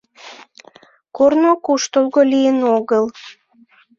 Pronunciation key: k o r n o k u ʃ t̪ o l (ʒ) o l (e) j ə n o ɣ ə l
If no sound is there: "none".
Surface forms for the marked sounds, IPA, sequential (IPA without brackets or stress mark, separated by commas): ɣ, i